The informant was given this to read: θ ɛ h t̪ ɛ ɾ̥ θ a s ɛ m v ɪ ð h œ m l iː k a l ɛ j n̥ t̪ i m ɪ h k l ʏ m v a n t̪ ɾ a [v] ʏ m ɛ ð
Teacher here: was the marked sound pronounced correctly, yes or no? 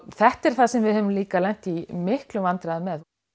no